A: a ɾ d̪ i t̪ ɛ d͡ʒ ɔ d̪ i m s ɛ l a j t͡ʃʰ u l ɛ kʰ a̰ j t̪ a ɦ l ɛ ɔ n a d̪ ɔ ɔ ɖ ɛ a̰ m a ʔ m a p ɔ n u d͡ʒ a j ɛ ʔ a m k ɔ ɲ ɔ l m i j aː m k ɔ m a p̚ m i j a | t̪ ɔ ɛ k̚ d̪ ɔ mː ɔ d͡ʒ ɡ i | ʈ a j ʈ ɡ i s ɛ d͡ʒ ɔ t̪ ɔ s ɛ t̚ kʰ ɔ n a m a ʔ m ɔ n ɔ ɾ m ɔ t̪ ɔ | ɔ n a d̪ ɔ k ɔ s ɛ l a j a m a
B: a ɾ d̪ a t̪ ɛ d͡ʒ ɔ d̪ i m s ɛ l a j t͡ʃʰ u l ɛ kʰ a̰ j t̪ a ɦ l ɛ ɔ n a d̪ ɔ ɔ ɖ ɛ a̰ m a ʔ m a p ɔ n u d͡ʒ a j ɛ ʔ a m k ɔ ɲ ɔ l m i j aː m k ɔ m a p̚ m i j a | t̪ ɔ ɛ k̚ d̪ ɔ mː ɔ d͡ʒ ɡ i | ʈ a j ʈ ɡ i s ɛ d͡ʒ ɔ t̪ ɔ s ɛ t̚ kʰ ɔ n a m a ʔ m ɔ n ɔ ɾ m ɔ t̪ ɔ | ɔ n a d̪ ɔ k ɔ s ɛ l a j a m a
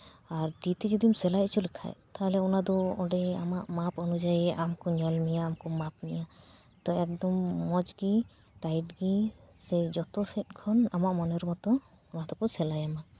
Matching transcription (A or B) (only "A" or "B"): A